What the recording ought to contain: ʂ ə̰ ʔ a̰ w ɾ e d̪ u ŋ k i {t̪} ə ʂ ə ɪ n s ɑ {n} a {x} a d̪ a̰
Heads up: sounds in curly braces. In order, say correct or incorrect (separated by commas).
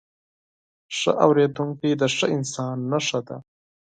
incorrect, incorrect, incorrect